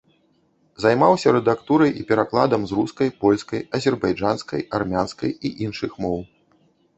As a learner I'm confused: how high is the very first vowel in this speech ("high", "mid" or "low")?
low